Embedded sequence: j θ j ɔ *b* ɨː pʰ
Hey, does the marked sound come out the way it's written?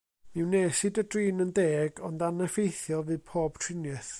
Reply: no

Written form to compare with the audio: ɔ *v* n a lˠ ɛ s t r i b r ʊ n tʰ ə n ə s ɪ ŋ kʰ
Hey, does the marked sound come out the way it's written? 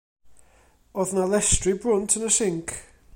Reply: no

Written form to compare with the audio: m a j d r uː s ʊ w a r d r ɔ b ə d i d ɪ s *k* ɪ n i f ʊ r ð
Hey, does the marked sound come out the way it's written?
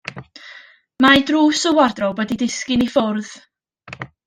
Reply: yes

